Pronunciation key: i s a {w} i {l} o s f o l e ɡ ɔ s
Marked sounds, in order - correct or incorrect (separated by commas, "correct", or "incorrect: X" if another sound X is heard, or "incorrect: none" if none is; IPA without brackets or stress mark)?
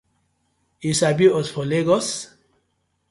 incorrect: b, incorrect: none